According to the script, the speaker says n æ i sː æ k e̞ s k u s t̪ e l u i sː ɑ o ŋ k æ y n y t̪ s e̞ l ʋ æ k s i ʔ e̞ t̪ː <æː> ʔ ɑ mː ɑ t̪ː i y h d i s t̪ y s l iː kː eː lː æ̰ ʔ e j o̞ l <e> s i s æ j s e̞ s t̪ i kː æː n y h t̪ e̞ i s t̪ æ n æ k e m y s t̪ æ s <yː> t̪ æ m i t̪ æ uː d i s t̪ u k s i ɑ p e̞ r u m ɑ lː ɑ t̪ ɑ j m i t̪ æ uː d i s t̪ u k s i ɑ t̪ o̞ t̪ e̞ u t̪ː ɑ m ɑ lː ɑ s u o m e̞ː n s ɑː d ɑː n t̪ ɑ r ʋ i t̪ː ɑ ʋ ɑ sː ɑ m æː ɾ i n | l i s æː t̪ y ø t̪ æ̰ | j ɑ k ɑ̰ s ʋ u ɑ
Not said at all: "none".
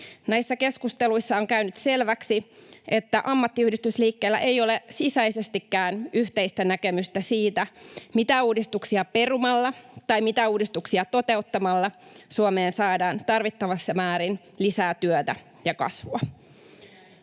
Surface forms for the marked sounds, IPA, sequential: æ, e, iː

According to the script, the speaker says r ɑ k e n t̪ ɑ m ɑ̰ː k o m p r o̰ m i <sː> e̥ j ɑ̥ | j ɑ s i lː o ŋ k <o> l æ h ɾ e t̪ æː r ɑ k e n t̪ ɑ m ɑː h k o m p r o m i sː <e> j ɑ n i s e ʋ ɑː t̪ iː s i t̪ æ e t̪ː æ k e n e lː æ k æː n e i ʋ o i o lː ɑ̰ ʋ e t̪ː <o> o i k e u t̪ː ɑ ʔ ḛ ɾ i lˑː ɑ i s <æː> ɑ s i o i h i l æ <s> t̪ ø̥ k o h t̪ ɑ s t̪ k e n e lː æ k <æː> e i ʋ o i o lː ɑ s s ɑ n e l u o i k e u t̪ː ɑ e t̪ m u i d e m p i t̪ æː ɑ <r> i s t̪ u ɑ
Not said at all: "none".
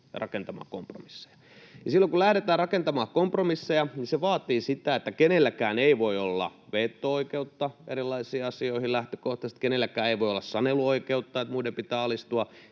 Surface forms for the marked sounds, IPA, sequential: sː, u, e, o, iː, h, æː, l

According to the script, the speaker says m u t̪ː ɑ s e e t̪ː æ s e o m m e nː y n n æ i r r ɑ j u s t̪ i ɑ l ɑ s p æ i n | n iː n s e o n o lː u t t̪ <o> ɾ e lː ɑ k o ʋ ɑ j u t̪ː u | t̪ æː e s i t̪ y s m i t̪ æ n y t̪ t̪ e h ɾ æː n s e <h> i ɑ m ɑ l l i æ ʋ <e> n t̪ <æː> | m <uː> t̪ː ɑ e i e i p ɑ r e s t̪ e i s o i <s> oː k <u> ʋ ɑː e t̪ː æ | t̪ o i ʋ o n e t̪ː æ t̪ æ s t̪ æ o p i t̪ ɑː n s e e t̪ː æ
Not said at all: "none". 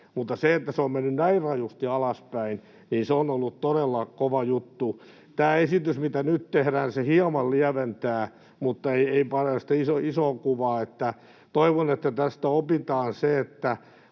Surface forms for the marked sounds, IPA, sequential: o, h, e, æː, u, s, u

